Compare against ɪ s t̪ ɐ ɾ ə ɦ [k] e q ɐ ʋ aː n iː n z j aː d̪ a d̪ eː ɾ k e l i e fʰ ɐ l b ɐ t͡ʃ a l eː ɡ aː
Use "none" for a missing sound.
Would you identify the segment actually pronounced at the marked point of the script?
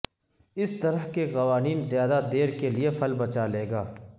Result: k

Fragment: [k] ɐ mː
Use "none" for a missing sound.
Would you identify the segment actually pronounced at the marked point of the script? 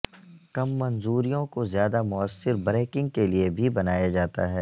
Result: k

